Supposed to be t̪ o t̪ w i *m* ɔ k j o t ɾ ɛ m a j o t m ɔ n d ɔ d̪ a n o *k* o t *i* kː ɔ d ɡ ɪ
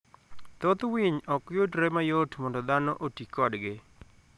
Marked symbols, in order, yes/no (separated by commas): no, no, yes